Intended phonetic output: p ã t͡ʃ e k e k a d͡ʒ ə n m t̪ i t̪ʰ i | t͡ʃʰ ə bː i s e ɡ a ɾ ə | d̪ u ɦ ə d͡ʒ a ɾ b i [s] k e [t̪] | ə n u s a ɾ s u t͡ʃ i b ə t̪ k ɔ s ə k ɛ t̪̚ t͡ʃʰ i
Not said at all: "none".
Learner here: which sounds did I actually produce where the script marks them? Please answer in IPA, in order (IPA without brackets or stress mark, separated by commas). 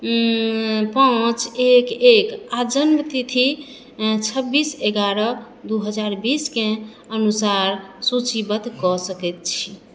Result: s, none